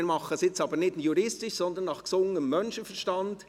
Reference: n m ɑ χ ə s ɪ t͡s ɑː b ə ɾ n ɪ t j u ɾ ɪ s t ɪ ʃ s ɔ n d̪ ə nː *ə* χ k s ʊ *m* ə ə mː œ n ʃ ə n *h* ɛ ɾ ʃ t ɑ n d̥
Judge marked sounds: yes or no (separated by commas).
no, no, no